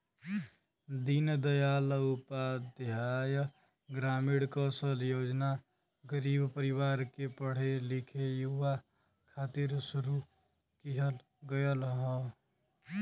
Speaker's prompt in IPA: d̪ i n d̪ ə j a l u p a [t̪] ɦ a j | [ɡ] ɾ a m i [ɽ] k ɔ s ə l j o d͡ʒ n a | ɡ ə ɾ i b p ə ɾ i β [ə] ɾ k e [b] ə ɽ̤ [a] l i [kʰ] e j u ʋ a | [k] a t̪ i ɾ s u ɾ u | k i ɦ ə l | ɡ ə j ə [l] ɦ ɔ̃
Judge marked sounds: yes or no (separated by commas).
no, yes, yes, no, no, no, yes, no, yes